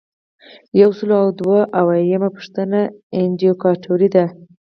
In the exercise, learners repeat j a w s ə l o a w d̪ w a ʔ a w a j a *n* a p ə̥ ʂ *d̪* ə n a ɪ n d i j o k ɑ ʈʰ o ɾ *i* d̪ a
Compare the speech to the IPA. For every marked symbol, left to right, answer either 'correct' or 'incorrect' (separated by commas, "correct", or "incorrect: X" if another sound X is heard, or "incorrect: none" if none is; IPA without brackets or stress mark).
incorrect: m, incorrect: t̪, correct